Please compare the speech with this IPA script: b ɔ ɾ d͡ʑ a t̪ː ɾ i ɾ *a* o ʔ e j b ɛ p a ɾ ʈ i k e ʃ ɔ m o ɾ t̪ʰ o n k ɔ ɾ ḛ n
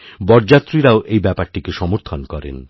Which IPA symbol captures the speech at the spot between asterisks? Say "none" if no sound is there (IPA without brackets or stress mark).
a